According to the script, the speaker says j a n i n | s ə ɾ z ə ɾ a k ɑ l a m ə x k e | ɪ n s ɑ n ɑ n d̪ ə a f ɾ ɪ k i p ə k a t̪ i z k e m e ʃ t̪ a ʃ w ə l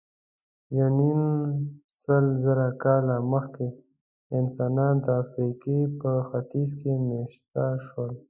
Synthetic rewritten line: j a n i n | s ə l z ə ɾ a k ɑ l a m ə x k e | ɪ n s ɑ n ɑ n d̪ ə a f ɾ i k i p ə x a t̪ i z k e m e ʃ t̪ a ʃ w ə l